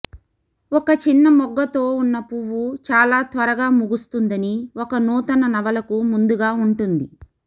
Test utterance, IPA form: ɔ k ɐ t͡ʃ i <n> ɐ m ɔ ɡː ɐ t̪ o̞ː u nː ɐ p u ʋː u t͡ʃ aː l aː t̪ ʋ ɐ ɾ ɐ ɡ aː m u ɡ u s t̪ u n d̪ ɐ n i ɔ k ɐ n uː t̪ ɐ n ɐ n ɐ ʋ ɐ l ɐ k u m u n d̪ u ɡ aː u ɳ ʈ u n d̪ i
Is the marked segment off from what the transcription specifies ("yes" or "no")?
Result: yes